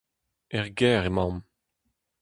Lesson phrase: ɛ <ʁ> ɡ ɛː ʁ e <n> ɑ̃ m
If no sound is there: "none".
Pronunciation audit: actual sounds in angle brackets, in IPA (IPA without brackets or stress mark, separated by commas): ʁ, m